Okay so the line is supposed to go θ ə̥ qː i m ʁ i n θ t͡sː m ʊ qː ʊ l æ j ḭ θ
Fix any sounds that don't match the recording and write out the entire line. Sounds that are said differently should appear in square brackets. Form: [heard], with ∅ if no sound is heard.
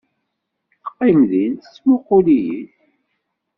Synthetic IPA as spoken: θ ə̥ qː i m [ð] i n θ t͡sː m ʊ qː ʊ l [i] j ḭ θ